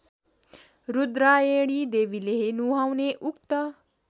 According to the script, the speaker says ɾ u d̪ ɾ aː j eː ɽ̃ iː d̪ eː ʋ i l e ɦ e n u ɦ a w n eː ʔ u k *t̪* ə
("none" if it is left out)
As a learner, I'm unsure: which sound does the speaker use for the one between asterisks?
t̪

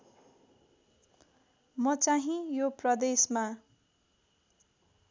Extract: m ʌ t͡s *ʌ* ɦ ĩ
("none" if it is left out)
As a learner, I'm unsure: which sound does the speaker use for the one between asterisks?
a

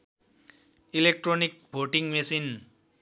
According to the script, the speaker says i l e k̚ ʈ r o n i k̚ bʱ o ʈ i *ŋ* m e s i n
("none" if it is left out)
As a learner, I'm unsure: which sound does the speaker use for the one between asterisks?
ŋ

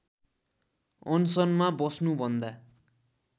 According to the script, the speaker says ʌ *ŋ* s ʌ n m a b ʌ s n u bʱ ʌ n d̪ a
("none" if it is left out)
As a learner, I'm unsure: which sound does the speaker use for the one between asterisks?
n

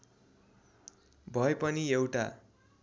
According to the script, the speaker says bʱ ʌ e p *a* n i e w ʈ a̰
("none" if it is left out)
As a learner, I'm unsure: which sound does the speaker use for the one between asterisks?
ʌ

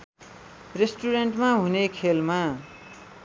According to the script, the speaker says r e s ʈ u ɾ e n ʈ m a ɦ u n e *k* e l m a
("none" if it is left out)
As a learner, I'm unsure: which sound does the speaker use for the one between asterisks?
kʰ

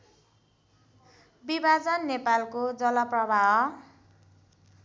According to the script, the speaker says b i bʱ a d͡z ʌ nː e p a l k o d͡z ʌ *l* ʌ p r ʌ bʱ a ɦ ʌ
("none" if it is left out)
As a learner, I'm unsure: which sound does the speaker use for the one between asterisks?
l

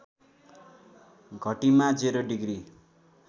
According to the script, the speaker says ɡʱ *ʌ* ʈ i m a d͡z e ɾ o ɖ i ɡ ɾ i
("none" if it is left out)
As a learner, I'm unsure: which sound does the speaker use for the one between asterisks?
ʌ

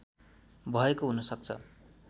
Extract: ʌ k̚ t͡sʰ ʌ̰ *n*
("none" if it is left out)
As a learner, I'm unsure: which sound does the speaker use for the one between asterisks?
none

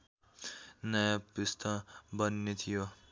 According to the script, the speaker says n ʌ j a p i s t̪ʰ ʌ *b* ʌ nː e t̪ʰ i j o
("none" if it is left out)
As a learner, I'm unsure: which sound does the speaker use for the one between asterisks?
b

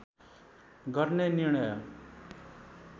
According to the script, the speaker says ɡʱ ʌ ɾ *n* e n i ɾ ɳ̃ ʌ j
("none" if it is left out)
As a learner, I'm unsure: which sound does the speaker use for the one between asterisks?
n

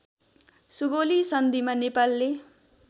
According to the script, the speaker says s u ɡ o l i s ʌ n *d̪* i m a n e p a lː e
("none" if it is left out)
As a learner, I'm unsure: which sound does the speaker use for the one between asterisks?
d̪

